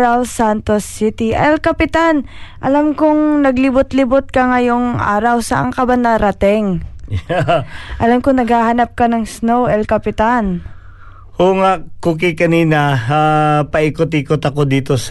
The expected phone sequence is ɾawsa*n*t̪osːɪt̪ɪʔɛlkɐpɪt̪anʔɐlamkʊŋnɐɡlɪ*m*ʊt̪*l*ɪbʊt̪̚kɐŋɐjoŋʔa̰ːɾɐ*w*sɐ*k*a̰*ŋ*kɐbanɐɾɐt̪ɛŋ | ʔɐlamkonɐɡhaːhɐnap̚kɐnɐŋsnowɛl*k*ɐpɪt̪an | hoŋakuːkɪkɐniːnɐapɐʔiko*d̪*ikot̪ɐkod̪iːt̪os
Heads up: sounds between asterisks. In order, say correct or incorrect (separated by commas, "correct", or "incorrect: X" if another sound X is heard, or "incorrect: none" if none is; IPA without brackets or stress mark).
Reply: correct, incorrect: b, correct, correct, incorrect: ʔ, correct, correct, incorrect: t̪